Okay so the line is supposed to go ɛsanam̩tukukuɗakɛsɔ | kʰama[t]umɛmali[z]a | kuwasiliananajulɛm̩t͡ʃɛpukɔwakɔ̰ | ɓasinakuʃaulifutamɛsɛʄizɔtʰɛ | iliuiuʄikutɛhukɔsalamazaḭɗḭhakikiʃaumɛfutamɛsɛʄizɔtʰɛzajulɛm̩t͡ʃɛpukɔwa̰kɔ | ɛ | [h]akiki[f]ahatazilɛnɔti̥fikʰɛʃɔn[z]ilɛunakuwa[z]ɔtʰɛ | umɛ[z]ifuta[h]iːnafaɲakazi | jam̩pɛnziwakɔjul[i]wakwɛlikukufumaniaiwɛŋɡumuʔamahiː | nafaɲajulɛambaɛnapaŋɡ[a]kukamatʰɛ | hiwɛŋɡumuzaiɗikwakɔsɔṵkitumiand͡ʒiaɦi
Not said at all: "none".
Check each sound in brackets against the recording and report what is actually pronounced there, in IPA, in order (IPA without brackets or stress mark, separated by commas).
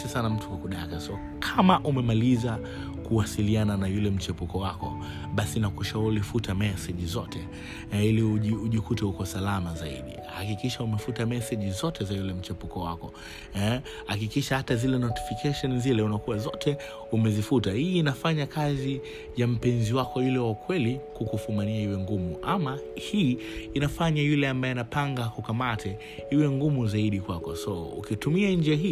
ʔ, z, h, ʃ, z, z, z, h, ɛ, a